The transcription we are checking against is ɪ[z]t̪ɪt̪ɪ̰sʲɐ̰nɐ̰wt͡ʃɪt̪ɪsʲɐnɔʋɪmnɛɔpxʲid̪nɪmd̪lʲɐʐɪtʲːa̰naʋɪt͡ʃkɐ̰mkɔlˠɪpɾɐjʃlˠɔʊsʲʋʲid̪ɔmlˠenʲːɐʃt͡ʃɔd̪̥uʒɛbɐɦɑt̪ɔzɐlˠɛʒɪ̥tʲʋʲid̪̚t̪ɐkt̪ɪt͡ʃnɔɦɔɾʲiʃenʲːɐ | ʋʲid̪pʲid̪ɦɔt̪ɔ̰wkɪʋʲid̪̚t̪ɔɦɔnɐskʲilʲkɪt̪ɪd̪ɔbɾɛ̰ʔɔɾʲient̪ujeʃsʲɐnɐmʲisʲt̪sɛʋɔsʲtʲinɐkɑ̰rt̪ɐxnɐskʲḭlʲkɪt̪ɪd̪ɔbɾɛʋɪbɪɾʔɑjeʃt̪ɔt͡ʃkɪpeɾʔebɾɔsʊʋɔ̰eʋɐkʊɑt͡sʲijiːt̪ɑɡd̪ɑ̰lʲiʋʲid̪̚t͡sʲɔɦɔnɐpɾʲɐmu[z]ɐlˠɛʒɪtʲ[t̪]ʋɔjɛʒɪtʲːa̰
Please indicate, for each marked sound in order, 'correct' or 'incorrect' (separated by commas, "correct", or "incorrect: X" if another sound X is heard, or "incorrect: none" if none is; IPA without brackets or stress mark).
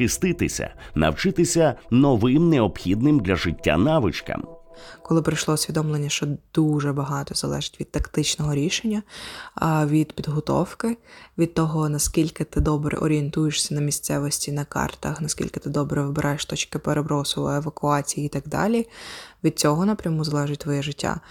incorrect: s, correct, correct